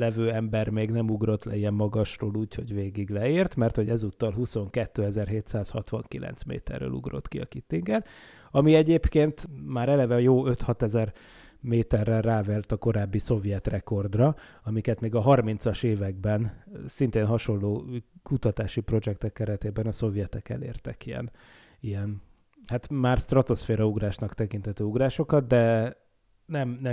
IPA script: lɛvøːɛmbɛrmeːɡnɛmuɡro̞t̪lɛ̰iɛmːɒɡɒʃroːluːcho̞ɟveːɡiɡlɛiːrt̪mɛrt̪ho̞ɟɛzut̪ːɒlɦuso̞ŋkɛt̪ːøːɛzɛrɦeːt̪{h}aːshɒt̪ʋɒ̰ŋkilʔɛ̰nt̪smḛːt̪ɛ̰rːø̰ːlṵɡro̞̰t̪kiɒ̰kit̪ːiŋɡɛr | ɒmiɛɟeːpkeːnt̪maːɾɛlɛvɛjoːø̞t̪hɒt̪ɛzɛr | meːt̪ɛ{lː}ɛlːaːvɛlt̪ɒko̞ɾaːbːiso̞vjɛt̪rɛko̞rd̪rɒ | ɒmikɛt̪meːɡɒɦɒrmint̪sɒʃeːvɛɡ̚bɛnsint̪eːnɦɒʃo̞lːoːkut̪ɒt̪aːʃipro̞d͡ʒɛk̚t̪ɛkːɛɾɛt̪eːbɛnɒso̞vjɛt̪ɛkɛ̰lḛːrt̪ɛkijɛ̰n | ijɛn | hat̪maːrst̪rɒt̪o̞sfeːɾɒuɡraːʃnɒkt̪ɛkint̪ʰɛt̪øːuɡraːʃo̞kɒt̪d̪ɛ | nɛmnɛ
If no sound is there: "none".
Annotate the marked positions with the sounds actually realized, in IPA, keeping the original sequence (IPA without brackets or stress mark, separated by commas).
s, rː